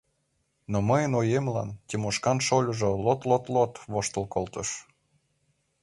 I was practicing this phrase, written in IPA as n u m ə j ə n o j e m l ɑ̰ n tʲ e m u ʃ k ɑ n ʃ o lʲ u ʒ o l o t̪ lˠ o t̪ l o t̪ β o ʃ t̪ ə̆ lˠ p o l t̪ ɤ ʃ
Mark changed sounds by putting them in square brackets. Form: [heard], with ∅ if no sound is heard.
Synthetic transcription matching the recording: n [o] m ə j ə n o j e m l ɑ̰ n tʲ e m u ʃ k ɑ n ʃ o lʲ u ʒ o l o t̪ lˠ o t̪ l o t̪ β o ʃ t̪ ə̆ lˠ [k] o l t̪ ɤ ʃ